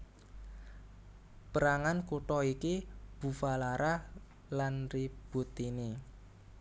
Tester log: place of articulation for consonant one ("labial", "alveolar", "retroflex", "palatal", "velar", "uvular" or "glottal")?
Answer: labial